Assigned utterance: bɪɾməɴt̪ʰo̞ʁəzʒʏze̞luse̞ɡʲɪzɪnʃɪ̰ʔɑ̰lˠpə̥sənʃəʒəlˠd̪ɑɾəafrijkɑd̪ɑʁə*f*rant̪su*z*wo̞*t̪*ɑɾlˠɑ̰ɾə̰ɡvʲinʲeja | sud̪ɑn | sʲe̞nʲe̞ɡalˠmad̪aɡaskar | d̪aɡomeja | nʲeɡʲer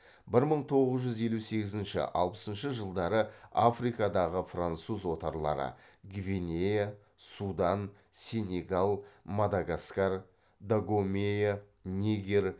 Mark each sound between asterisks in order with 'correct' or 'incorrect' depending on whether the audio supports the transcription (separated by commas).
correct, correct, correct